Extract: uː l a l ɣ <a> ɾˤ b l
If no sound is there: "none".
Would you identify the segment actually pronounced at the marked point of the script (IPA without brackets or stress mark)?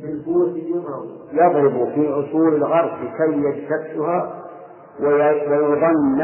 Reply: ɑ